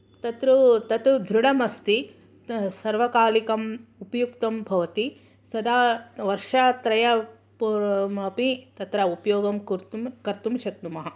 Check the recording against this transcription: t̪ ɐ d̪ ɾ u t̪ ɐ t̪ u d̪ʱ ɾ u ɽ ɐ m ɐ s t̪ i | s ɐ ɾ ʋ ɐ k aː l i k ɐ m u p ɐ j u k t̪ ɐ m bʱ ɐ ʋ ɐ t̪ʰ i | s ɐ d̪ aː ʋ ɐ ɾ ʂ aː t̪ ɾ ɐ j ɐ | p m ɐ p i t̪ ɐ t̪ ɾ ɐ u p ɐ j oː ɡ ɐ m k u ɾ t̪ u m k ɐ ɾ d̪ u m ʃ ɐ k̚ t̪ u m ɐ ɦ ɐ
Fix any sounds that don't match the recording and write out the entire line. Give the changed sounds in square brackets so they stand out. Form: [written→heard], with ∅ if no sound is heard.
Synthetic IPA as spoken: t̪ ɐ [d̪→t̪] ɾ u t̪ ɐ t̪ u d̪ʱ ɾ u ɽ ɐ m ɐ s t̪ i | s ɐ ɾ ʋ ɐ k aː l i k ɐ m u p ɐ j u k t̪ ɐ m bʱ ɐ ʋ ɐ [t̪ʰ→t̪] i | s ɐ d̪ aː ʋ ɐ ɾ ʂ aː t̪ ɾ ɐ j ɐ | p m ɐ p i t̪ ɐ t̪ ɾ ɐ u p ɐ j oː ɡ ɐ m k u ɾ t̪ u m k ɐ ɾ [d̪→t̪] u m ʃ ɐ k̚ t̪ u m ɐ ɦ ɐ